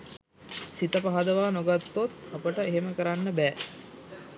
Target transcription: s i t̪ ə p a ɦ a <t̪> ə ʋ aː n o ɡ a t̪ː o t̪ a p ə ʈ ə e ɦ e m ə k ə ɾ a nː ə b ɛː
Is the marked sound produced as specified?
no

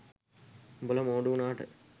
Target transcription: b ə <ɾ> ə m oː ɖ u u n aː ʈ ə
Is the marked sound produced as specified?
no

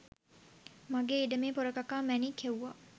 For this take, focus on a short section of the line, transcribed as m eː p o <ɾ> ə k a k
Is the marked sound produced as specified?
yes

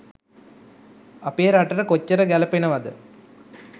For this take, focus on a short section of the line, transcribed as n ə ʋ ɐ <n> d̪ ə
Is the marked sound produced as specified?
no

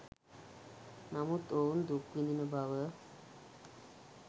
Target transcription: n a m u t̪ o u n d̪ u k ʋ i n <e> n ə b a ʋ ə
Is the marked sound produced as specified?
no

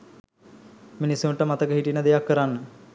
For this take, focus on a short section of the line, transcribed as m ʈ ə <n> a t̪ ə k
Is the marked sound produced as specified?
no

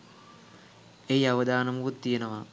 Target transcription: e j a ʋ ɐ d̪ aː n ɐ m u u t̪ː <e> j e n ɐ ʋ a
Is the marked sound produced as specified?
no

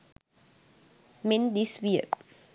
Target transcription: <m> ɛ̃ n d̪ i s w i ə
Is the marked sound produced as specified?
yes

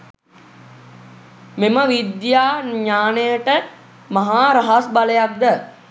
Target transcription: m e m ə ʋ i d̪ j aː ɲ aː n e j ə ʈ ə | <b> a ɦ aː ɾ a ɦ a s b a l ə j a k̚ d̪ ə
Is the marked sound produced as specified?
no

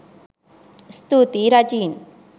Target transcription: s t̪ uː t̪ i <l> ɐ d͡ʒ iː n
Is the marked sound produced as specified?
no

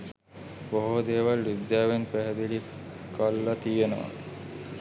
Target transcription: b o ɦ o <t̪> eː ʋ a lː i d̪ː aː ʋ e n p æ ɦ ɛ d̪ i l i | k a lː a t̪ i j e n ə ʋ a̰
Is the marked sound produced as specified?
no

